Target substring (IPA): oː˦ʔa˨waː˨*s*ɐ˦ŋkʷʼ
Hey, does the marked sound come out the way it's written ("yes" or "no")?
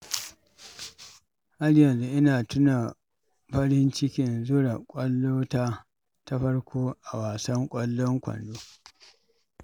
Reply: yes